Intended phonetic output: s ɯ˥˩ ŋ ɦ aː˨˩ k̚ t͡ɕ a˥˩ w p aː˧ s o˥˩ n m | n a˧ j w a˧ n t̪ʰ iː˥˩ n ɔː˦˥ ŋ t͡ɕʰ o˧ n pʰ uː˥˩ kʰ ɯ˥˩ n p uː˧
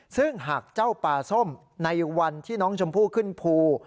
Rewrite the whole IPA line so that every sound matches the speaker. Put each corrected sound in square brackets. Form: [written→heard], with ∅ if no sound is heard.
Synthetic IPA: s ɯ˥˩ ŋ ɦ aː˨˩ k̚ t͡ɕ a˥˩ w p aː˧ s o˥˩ [n→∅] m | n a˧ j w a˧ n t̪ʰ iː˥˩ n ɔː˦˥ ŋ t͡ɕʰ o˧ [n→m] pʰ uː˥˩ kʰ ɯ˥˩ n [p→pʰ] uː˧